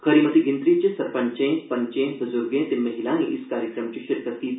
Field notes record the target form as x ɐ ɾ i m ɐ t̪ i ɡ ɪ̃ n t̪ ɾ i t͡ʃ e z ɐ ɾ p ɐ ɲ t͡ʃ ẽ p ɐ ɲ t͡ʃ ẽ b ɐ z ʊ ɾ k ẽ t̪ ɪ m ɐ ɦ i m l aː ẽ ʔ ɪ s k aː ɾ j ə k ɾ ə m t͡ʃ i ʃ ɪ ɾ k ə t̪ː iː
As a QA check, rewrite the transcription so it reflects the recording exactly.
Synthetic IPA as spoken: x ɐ ɾ i m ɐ t̪ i ɡ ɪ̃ n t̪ ɾ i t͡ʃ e s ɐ ɾ p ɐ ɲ t͡ʃ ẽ p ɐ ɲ t͡ʃ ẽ b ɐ z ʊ ɾ ɡ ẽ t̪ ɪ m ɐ ɦ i l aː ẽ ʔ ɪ s k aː ɾ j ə k ɾ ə m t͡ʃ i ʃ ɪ ɾ k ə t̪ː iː